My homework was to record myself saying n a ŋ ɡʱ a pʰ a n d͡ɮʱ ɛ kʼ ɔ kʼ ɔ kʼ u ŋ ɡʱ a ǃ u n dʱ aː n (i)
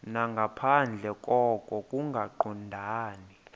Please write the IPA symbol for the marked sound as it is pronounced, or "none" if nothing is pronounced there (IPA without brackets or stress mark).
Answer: i